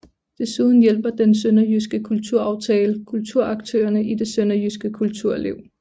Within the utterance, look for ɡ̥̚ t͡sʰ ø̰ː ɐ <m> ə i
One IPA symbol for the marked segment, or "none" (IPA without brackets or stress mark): n